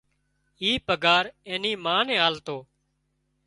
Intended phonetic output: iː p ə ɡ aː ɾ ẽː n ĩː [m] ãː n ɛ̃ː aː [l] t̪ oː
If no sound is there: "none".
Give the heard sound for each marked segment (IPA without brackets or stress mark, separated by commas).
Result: m, l